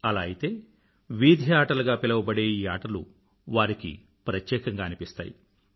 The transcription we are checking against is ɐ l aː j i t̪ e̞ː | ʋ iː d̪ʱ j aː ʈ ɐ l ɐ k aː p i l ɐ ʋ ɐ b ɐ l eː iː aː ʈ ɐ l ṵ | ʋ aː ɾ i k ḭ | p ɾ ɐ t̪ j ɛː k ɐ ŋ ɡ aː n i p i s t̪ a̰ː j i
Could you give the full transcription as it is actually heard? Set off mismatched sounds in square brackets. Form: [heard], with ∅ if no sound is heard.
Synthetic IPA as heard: ɐ l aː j i t̪ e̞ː | ʋ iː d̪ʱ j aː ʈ ɐ l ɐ [ɡ] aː p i l ɐ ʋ ɐ b ɐ [ɽ] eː iː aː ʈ ɐ l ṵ | ʋ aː ɾ i k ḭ | p ɾ ɐ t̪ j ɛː k ɐ ŋ ɡ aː n i p i s t̪ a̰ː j i